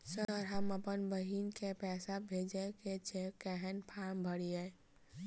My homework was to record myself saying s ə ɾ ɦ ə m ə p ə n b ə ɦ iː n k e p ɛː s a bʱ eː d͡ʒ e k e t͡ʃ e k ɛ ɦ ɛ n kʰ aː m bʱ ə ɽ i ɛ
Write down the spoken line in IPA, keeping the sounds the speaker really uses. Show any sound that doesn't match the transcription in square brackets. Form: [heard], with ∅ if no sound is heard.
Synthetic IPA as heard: s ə ɾ ɦ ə m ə p ə n b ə ɦ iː n k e p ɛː s a bʱ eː d͡ʒ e k e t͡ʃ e k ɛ ɦ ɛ n [pʰ] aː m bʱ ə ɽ i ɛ